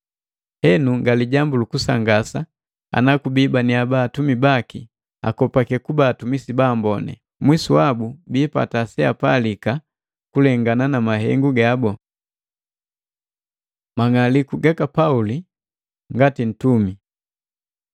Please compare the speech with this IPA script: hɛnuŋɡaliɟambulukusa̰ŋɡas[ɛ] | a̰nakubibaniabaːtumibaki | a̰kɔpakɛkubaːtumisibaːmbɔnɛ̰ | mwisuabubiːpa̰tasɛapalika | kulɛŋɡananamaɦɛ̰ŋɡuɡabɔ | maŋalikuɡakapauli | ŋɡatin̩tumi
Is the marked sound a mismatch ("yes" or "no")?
yes